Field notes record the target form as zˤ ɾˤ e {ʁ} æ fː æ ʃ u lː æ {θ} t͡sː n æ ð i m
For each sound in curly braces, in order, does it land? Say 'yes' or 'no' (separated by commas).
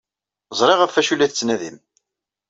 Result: yes, yes